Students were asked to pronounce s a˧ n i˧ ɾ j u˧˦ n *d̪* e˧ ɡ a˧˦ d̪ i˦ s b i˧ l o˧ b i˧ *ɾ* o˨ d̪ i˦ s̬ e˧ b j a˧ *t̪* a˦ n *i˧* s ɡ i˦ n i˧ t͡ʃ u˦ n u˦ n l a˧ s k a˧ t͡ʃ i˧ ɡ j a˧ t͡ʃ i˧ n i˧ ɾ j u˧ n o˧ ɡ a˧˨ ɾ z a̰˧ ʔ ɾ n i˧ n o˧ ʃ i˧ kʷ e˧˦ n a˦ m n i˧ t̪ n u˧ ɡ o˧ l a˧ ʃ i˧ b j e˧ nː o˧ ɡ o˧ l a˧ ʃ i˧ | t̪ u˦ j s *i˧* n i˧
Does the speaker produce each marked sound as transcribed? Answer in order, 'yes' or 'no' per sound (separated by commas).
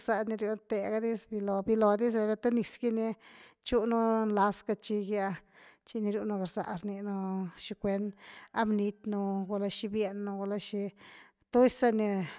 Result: no, no, yes, yes, no